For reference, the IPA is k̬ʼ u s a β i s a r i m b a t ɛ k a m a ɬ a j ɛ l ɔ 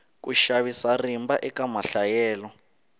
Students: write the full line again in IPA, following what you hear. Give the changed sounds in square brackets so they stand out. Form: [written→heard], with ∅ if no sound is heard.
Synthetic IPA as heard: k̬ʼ u [s→ʃ] a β i s a r i m b a [t→ʔ] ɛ k a m a ɬ a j [ɛ→ɛː] l ɔ